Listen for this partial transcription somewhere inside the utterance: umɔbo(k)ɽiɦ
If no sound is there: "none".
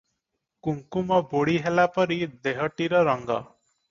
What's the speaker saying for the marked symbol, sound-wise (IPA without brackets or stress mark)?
none